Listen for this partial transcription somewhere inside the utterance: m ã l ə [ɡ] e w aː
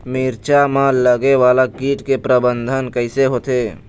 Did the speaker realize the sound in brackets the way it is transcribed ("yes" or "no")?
yes